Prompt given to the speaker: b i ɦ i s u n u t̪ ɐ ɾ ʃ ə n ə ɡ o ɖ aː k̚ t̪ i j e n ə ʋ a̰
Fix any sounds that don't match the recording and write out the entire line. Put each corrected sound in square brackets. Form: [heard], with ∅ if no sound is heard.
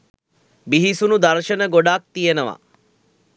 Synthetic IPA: b i ɦ i s u n u [d̪] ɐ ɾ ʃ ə n ə ɡ o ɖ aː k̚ t̪ i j e n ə ʋ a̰